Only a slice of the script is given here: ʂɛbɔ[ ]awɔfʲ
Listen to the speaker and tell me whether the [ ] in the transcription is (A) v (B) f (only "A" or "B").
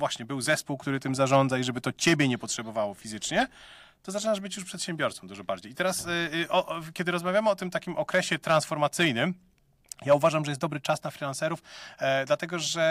A